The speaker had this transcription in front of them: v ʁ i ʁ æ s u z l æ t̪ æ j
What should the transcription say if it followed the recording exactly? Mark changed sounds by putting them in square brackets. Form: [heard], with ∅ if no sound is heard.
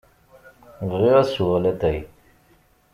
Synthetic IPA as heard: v ʁ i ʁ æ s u [ʁ] l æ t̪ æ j